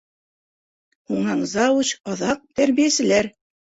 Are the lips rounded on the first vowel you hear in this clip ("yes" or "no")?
yes